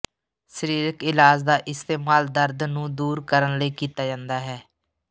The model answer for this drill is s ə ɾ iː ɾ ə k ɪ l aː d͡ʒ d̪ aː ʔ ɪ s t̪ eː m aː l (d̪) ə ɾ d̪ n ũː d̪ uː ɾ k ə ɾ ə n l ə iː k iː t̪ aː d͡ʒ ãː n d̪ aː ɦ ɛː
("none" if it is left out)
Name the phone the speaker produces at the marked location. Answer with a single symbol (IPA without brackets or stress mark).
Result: d̪